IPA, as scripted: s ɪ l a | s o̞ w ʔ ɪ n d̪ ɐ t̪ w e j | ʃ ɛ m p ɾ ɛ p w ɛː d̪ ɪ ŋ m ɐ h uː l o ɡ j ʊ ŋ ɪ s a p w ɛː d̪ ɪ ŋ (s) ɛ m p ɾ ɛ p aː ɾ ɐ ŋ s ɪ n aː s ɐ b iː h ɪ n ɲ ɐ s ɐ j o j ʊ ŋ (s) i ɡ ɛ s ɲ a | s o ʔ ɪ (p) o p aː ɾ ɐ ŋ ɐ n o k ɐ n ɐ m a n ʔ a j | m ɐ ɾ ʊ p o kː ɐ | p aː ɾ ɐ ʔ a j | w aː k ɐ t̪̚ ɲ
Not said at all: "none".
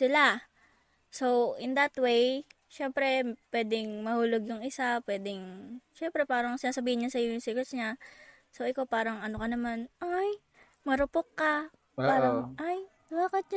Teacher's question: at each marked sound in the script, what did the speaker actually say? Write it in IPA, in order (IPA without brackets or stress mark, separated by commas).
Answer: ʃ, s, k